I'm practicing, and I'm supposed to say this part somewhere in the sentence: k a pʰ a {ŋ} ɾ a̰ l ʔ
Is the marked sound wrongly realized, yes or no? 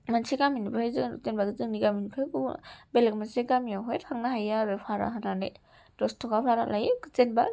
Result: yes